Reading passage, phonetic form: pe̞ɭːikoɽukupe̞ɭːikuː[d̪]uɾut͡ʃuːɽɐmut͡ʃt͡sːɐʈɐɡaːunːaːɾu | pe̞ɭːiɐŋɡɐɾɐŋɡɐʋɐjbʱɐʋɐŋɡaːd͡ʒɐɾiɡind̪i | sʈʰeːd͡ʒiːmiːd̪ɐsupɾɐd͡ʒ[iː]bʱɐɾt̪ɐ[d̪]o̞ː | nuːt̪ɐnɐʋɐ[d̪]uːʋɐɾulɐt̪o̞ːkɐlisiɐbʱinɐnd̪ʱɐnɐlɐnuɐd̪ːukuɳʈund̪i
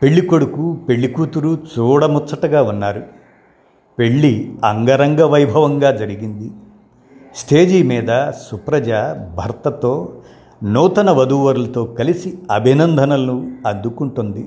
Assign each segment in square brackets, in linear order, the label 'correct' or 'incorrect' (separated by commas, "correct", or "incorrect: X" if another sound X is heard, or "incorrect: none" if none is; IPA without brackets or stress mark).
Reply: incorrect: t̪, incorrect: aː, incorrect: t̪, correct